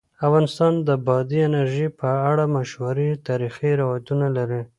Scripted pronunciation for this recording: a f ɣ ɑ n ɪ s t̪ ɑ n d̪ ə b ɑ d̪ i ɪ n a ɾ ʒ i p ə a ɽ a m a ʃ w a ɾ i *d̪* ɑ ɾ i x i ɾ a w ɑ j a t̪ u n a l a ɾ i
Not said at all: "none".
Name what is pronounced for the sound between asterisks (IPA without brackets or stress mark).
t̪